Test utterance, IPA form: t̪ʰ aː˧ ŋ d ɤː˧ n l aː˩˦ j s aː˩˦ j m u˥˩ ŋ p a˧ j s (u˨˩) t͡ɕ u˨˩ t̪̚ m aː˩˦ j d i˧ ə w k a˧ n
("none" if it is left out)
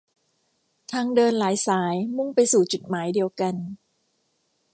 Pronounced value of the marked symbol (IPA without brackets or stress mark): uː˨˩